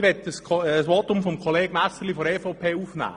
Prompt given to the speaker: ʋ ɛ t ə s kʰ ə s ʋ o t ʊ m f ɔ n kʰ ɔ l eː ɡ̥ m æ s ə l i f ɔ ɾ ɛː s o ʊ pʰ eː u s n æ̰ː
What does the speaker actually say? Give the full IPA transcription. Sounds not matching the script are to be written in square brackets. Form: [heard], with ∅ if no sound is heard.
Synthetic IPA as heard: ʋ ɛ t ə s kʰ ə s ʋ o t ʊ m f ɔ [m] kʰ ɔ l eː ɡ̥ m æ s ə l i f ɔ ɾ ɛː [f] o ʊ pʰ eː u [f] n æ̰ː